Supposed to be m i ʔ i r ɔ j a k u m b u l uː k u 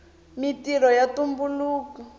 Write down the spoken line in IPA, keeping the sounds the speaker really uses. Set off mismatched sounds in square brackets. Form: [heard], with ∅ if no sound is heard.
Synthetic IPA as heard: m i [t] i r ɔ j a [t] u m b u l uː k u